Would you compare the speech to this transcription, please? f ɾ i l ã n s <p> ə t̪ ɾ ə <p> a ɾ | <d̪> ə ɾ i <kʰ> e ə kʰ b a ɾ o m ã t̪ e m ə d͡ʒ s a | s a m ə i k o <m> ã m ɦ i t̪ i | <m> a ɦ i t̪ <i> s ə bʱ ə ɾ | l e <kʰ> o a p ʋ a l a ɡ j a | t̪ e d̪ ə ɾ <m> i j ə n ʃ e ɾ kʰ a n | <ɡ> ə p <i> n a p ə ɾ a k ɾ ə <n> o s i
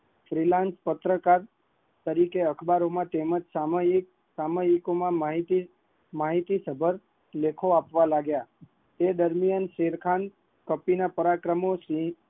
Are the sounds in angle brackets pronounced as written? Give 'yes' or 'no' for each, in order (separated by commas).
yes, no, no, no, yes, yes, yes, yes, yes, no, yes, no